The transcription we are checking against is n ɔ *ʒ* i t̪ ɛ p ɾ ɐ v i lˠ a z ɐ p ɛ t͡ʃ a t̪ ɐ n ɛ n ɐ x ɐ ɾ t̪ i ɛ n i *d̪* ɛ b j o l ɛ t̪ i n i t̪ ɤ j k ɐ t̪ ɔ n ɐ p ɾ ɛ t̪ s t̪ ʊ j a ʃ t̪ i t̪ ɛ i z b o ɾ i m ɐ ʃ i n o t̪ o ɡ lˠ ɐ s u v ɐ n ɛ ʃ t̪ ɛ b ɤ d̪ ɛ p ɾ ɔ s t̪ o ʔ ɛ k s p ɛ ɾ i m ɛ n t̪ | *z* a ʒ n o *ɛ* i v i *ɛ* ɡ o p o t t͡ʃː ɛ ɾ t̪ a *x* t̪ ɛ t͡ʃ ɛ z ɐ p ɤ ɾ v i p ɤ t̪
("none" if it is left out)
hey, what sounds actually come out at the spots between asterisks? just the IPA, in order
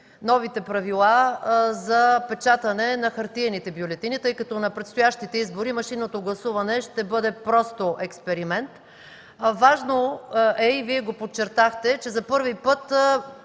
v, t̪, v, ɛ, ɛ, x

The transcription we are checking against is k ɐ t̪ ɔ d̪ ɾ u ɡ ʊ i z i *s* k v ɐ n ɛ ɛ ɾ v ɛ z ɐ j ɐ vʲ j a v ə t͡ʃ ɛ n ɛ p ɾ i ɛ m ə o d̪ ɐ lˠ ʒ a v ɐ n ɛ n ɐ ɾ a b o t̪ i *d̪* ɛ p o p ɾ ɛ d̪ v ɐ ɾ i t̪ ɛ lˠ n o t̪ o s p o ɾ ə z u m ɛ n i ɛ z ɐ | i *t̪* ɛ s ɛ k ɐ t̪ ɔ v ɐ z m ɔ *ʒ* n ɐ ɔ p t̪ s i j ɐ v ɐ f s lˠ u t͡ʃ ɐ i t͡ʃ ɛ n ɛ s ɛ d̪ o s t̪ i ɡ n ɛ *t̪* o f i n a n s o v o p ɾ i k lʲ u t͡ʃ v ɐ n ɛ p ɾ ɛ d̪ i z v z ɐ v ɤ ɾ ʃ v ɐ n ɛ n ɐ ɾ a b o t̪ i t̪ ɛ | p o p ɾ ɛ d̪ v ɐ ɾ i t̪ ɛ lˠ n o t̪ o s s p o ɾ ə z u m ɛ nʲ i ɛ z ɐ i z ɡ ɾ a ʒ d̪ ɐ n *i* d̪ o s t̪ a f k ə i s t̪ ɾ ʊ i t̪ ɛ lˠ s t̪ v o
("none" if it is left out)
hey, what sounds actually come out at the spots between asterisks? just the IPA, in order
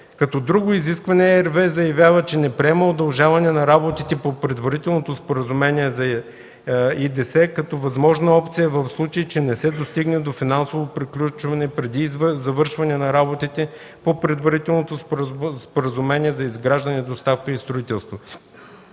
s, t̪, d̪, ʒ, d̪, ɛ

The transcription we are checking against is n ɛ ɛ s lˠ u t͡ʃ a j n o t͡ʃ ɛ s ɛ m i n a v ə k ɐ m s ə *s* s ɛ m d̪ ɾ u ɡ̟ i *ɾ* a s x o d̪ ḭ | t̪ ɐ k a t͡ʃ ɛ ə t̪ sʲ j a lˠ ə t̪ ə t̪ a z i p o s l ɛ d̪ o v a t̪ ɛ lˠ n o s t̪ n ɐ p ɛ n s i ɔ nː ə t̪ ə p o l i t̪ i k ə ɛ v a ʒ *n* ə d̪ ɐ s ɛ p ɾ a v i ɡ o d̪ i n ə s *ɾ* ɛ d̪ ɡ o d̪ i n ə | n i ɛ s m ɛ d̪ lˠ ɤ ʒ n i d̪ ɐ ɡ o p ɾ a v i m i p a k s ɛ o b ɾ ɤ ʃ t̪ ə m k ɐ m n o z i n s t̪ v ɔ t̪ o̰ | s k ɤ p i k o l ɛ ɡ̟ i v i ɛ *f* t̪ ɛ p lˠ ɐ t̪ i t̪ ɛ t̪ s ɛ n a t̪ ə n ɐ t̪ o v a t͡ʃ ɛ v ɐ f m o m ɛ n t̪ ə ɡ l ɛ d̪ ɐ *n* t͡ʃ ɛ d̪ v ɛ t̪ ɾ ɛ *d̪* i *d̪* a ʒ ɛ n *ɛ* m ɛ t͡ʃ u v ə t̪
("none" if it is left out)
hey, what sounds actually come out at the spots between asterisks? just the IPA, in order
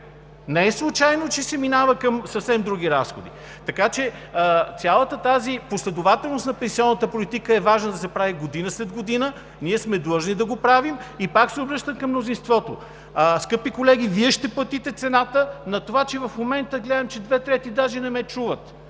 f, ɾ, n, l, ʃ, m, t̪, d̪, ɛ

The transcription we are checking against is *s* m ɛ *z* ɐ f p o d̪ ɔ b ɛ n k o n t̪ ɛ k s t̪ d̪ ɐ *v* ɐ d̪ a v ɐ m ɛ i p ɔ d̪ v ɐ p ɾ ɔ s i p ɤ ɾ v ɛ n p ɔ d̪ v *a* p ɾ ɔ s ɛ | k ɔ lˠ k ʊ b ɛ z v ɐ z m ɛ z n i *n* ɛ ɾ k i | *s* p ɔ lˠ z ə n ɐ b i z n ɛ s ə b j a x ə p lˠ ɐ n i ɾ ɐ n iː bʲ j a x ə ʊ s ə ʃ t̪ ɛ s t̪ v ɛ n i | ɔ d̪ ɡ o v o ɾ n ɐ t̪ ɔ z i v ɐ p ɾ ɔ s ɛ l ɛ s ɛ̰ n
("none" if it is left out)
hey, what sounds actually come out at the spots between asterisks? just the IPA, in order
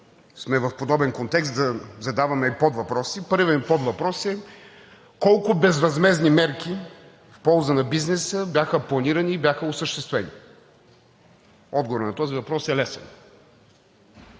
s, v, z, ɐ, m, f

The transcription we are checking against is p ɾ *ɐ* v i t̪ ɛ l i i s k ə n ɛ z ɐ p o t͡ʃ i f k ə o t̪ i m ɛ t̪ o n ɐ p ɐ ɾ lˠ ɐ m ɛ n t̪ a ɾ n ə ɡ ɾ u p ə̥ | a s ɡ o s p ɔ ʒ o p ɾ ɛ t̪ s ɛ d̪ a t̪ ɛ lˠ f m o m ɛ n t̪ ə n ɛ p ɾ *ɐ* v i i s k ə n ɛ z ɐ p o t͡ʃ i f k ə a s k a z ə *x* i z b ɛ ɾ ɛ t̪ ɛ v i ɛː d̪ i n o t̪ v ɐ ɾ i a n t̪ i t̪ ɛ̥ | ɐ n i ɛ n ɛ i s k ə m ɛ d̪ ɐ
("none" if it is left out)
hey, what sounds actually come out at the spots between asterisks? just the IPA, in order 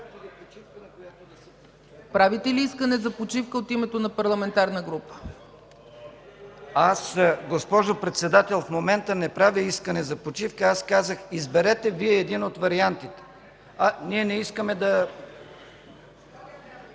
a, a, x

